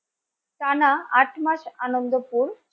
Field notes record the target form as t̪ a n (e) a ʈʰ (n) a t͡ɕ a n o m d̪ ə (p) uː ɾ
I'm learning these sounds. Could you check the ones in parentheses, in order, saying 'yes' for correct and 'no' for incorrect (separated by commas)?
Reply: no, no, yes